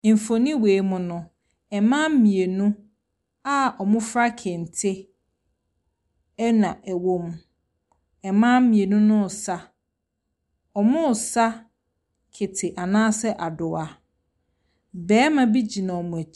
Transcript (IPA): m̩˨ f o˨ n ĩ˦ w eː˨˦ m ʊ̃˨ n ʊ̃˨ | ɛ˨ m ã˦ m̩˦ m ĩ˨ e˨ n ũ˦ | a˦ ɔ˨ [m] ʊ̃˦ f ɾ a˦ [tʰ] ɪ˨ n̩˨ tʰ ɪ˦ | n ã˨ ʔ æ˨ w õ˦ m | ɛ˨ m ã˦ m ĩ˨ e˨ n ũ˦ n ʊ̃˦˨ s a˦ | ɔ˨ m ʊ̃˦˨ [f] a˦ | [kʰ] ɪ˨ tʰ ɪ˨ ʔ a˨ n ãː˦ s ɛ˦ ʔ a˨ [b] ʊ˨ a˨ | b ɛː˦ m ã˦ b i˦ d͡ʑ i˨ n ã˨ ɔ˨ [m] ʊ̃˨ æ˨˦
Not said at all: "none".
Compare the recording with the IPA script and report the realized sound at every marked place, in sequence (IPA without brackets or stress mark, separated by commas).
m, kʰ, s, kʰ, d, m